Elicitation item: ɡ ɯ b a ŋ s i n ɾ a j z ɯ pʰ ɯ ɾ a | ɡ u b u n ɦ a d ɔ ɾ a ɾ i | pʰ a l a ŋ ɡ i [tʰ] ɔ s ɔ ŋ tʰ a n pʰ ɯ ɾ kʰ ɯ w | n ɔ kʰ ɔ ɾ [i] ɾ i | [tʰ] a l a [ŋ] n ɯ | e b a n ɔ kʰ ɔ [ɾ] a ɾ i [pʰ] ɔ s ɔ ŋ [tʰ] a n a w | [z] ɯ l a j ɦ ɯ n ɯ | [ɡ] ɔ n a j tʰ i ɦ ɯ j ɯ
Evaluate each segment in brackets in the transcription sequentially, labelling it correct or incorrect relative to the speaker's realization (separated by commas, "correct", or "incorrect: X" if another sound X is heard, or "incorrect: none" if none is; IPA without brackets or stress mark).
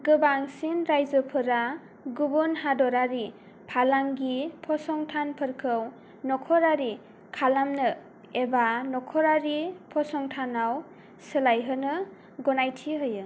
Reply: incorrect: pʰ, incorrect: a, incorrect: kʰ, incorrect: m, correct, correct, correct, incorrect: s, correct